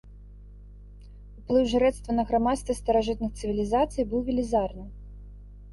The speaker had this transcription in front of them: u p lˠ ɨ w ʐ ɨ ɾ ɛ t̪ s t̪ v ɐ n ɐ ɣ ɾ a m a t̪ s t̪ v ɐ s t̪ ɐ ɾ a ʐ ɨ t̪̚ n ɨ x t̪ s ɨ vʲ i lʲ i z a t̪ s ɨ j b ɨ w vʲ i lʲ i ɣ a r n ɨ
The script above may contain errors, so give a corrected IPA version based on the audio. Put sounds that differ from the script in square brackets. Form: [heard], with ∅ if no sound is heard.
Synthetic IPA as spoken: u p lˠ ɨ w ʐ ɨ ɾ ɛ t̪ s t̪ v ɐ n ɐ ɣ ɾ a m a t̪ s t̪ v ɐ s t̪ ɐ ɾ a ʐ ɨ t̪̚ n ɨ x t̪ s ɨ vʲ i lʲ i z a t̪ s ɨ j b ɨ w vʲ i lʲ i [z] a r n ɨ